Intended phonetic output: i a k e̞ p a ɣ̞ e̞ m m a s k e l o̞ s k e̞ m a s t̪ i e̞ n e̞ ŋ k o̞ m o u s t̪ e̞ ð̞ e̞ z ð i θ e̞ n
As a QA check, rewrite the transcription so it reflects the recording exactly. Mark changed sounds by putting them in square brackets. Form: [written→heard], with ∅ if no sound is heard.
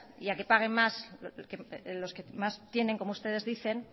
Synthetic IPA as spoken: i a k e̞ p a ɣ̞ e̞ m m a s k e l o̞ s k e̞ m a s t̪ [i→j] e̞ n e̞ ŋ k o̞ m o u s t̪ e̞ ð̞ e̞ z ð i θ e̞ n